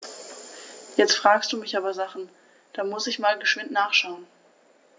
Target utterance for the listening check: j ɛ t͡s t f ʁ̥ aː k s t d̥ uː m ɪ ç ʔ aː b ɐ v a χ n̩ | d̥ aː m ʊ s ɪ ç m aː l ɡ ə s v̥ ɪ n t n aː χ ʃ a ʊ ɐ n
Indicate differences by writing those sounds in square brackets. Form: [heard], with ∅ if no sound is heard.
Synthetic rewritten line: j ɛ t͡s t f ʁ̥ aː k s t d̥ uː m ɪ ç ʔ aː b ɐ [z] a χ n̩ | d̥ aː m ʊ s ɪ ç m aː l ɡ ə [ʃ] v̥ ɪ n t n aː χ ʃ a ʊ [ə] n

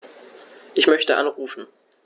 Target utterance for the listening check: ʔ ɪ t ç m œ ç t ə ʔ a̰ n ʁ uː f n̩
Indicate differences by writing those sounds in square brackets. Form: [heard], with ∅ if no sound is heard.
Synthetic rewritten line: ʔ ɪ [∅] ç m œ ç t ə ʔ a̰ n ʁ uː f n̩

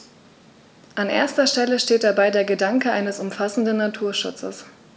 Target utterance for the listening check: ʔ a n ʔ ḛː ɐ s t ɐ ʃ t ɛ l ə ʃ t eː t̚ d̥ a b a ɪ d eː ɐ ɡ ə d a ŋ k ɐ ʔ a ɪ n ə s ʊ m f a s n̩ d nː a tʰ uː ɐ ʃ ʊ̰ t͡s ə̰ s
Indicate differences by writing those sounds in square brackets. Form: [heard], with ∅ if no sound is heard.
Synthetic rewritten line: ʔ a n ʔ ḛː ɐ s t ɐ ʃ t ɛ l ə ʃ t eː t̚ d̥ a b a ɪ d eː ɐ ɡ ə d a ŋ k [ə] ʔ a ɪ n ə s ʊ m f a s n̩ d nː a tʰ uː ɐ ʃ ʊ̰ t͡s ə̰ s

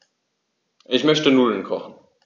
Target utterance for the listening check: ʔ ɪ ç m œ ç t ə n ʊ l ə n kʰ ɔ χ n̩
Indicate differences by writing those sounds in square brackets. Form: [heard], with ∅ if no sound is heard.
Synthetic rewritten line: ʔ ɪ ç m œ ç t ə n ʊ l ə n kʰ ɔ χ n̩

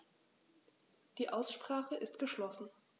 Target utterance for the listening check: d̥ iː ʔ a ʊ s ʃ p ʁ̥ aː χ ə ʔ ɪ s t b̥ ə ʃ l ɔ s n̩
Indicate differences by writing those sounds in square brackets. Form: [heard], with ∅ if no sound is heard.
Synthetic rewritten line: d̥ iː ʔ a ʊ s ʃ p ʁ̥ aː χ ə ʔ ɪ s t [ɡ̥] ə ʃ l ɔ s n̩

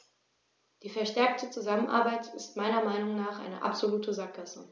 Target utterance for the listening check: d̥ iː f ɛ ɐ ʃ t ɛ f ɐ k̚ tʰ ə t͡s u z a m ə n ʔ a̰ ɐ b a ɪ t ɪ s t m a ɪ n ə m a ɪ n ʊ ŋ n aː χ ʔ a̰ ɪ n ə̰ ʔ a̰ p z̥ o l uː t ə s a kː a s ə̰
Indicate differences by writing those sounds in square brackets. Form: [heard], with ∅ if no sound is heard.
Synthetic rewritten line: d̥ iː f ɛ ɐ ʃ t ɛ [∅] ɐ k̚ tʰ ə t͡s u z a m ə n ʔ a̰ ɐ b a ɪ t ɪ s t m a ɪ n [ɐ] m a ɪ n ʊ ŋ n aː χ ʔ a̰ ɪ n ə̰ ʔ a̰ p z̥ o l uː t ə [z] a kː a s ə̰

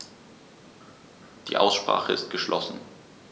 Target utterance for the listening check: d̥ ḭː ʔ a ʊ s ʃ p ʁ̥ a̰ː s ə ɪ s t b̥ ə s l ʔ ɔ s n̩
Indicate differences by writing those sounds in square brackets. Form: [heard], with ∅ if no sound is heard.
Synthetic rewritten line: d̥ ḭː ʔ a ʊ s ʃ p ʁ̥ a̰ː [χ] ə ɪ s t [ɡ̥] ə [ʃ] l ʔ ɔ s n̩

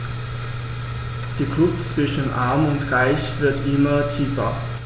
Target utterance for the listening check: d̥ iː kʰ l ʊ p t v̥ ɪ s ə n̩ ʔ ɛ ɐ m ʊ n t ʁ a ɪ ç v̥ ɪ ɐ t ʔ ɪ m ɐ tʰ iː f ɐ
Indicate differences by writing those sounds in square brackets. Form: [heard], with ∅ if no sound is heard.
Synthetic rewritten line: d̥ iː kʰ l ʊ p [t͡s] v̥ ɪ [ʃ] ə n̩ ʔ [a] ɐ m ʊ n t ʁ a ɪ ç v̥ ɪ ɐ t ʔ ɪ m ɐ tʰ iː f ɐ

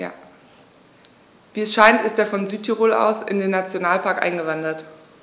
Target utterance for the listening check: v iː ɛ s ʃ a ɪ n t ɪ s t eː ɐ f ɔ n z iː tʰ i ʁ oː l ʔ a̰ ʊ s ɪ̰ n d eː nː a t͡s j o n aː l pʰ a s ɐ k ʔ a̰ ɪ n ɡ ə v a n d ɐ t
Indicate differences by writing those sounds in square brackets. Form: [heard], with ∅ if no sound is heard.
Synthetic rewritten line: v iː ɛ s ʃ a ɪ n t ɪ s t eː ɐ f ɔ n z [yː] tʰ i ʁ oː l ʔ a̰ ʊ s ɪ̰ n d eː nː a t͡s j o n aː l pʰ a [∅] ɐ k ʔ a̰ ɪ n ɡ ə v a n d ɐ t

